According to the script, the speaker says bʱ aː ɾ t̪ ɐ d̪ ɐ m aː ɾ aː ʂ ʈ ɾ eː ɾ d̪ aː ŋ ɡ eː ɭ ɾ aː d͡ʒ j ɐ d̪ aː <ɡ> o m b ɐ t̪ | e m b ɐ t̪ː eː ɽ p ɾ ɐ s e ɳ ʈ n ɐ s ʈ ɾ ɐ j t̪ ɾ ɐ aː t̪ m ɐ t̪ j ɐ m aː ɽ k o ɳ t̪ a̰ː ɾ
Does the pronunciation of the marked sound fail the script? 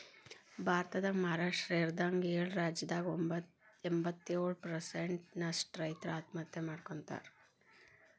no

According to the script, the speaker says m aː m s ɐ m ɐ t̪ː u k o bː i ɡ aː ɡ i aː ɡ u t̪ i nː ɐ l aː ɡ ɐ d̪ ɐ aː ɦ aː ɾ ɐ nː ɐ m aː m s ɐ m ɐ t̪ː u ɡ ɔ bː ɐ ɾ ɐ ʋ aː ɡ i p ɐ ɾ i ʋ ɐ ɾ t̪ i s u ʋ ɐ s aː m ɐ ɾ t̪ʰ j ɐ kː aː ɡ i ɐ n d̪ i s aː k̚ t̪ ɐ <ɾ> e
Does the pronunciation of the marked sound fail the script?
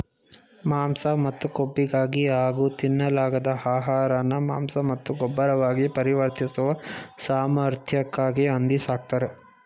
no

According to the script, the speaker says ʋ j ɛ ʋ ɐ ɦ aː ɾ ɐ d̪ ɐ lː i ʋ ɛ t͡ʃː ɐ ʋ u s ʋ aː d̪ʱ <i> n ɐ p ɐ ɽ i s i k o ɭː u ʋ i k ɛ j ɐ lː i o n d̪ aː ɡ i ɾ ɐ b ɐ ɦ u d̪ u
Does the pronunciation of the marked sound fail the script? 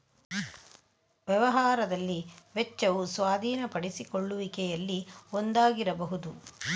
yes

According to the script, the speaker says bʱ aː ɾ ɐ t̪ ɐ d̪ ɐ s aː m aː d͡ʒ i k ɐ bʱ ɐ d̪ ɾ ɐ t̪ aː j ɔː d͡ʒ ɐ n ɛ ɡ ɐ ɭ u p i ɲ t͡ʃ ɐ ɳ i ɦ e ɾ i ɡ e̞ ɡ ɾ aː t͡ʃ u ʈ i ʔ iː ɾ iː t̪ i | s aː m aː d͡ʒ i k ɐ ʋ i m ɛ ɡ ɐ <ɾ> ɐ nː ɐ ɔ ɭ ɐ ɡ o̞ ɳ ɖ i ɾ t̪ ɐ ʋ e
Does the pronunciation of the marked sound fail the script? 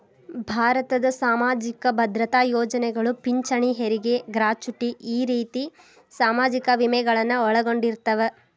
yes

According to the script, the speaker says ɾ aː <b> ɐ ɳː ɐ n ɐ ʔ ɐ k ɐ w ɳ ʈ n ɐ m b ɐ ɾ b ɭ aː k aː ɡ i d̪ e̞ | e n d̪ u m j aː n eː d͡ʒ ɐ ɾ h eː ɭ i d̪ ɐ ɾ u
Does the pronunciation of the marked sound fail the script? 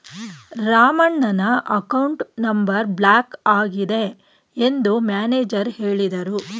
yes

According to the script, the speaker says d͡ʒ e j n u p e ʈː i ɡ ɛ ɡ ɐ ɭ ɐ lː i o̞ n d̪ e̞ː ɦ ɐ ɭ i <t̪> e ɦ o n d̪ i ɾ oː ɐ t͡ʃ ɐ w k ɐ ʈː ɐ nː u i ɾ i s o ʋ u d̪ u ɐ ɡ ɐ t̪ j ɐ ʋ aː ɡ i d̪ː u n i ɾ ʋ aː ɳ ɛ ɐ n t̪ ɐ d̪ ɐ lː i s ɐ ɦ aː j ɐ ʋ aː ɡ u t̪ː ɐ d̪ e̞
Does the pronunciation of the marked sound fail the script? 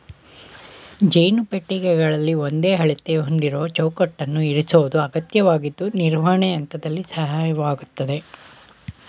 no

